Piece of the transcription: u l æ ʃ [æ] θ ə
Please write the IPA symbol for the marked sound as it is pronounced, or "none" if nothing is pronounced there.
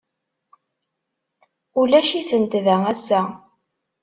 i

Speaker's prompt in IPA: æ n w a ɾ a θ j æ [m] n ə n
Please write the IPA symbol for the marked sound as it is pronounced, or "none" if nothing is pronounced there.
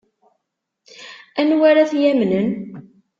m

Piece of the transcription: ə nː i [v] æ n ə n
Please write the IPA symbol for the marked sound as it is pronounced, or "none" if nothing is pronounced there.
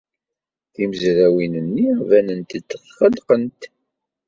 v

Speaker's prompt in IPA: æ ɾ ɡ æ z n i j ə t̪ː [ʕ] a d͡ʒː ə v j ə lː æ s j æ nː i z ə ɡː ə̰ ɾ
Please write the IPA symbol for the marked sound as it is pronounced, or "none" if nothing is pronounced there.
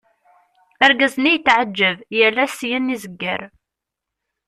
ʕ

